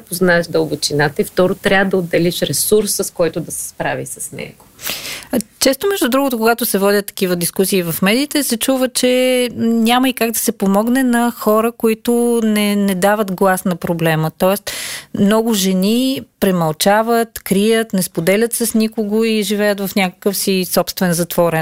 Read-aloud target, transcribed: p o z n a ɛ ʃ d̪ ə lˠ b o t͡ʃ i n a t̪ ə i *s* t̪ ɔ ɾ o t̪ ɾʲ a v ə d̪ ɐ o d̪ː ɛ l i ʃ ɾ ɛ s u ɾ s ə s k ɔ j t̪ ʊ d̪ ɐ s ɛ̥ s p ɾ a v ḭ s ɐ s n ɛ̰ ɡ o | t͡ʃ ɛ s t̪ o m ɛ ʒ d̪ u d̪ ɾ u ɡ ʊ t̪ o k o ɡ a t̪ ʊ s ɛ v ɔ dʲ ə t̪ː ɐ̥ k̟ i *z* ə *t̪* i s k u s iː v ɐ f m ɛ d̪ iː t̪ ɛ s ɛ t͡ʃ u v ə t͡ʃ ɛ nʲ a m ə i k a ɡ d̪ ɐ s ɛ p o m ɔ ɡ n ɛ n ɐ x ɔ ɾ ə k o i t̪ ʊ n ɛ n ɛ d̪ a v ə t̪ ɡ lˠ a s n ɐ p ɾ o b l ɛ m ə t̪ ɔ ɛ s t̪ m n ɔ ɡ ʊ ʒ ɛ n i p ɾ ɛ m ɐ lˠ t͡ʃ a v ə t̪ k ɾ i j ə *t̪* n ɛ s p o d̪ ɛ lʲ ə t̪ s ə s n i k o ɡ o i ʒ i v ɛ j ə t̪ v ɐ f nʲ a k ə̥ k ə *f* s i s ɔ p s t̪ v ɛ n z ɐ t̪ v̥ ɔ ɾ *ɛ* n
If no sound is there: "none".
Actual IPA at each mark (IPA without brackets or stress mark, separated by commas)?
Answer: f, v, d̪, t̪, f, ɛ